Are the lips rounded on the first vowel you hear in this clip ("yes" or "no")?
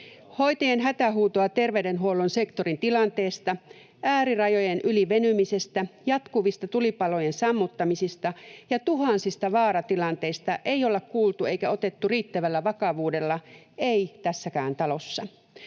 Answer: yes